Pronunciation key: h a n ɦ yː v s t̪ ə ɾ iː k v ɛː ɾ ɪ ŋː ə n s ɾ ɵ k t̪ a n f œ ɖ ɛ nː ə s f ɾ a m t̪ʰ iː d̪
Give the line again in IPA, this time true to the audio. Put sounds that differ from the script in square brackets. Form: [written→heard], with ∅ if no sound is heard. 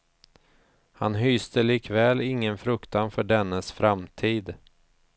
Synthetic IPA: h a n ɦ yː [v→∅] s t̪ ə [ɾ→l] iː k v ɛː [ɾ→l] ɪ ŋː ə n [s→f] ɾ ɵ k t̪ a n f œ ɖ ɛ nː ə s f ɾ a m t̪ʰ iː d̪